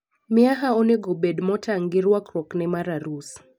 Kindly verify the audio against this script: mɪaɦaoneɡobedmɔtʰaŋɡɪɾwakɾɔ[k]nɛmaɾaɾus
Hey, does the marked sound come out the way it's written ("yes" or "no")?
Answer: yes